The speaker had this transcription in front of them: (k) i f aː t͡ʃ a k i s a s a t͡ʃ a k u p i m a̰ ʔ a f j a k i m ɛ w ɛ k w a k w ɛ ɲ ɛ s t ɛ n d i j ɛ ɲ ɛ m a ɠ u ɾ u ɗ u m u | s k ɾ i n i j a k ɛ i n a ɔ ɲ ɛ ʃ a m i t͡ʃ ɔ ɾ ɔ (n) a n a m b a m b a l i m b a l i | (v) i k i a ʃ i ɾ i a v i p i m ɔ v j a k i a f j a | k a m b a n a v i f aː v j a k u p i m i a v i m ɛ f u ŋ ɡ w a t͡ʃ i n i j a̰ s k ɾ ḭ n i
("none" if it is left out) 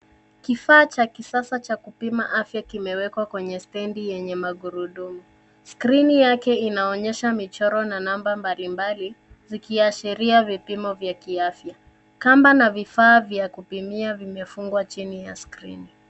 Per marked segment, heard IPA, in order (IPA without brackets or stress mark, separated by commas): k, n, z